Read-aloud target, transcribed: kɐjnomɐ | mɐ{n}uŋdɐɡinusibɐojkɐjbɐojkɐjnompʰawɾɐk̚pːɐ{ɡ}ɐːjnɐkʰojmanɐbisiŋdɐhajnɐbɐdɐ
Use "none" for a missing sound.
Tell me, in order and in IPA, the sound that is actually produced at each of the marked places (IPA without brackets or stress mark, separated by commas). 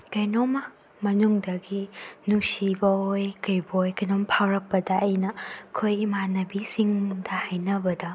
n, d